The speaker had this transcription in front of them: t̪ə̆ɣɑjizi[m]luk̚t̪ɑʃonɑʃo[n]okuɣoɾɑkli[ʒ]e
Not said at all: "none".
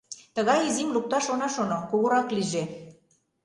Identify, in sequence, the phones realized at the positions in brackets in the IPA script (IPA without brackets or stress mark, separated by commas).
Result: m, n, ʒ